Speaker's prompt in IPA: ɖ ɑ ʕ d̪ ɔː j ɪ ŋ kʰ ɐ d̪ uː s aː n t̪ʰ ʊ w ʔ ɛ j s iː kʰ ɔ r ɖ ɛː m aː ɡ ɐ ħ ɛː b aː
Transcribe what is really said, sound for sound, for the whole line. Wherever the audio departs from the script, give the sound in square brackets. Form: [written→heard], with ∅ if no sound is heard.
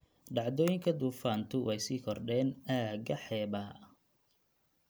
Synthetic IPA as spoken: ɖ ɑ ʕ d̪ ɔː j ɪ ŋ kʰ ɐ d̪ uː [s→f] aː n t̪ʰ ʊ w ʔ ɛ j s iː kʰ ɔ r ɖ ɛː [m→n] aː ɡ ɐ ħ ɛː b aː